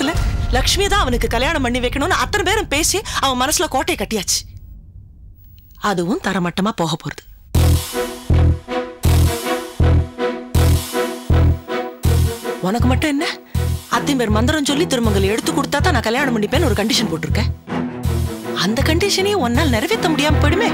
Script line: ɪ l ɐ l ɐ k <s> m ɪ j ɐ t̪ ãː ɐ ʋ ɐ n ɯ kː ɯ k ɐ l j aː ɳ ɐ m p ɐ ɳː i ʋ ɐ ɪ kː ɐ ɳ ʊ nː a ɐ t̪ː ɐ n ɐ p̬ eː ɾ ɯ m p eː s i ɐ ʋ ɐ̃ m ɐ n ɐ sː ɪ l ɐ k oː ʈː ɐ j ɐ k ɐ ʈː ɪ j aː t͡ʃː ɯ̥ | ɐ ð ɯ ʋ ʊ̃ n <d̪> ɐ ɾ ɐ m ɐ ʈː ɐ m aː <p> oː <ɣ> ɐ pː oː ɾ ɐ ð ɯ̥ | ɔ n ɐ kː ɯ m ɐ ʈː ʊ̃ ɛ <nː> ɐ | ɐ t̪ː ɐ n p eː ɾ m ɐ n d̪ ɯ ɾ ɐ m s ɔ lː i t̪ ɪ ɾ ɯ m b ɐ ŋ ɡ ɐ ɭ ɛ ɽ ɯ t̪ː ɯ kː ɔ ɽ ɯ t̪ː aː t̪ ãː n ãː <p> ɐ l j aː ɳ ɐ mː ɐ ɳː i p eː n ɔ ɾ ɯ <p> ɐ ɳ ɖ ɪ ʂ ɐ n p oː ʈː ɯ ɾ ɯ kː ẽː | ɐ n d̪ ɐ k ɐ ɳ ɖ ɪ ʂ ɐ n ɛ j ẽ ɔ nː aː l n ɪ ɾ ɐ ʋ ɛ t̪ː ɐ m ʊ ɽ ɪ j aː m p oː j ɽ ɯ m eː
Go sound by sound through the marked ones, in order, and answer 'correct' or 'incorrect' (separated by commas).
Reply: incorrect, incorrect, correct, correct, correct, incorrect, incorrect